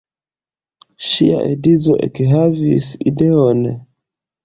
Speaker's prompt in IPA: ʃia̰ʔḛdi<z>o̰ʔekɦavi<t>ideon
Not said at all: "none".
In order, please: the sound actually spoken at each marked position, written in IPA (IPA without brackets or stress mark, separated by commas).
z, s